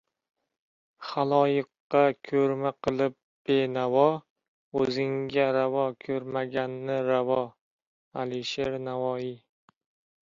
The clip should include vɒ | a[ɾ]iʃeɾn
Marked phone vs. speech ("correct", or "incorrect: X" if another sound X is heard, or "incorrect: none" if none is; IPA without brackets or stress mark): incorrect: l